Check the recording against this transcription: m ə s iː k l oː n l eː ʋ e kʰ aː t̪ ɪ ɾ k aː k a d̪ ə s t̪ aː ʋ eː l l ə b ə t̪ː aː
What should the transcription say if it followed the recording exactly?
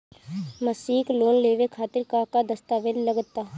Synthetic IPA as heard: m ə s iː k l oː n l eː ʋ e kʰ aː t̪ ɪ ɾ k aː k a d̪ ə s t̪ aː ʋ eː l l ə ɡ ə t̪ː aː